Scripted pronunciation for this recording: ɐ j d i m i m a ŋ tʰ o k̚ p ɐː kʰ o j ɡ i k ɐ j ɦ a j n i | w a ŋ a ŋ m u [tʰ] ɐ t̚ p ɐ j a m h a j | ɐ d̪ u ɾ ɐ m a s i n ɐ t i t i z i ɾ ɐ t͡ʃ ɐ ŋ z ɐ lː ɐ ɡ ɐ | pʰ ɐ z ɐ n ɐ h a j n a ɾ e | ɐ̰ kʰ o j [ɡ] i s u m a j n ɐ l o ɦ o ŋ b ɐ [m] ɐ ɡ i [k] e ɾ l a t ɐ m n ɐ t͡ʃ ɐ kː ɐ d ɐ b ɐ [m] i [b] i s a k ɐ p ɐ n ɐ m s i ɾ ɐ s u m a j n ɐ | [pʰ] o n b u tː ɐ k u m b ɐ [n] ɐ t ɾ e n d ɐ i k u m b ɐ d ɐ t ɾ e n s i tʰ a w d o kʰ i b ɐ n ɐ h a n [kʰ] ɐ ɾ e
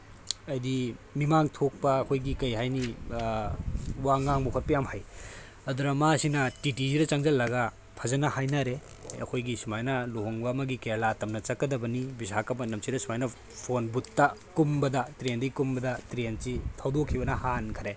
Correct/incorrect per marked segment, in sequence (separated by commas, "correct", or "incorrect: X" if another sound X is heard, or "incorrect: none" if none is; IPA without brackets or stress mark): incorrect: kʰ, correct, correct, correct, incorrect: n, correct, correct, incorrect: d, correct